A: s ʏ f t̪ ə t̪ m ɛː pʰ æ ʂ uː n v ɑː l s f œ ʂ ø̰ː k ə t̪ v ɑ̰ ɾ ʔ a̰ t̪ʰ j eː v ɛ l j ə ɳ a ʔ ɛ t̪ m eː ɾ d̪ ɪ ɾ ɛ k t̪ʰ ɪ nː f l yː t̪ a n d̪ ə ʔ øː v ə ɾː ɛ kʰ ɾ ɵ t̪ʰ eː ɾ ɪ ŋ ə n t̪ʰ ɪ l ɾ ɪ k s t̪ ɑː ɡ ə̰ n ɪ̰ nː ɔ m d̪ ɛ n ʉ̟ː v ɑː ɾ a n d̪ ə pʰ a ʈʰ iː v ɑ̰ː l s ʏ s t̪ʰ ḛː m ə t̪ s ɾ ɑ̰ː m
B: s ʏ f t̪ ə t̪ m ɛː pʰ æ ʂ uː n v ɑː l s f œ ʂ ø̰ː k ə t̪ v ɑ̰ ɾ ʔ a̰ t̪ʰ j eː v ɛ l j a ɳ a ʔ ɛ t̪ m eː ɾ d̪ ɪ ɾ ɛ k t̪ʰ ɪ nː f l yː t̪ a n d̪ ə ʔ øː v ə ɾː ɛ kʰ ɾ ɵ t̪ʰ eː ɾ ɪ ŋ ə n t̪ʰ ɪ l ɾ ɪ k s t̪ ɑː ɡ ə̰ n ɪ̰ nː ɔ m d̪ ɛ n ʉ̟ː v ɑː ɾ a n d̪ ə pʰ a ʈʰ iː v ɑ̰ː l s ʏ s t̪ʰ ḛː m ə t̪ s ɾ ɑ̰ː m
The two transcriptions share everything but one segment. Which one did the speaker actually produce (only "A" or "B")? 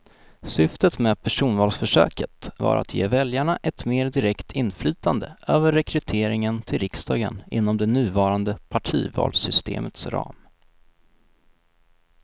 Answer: B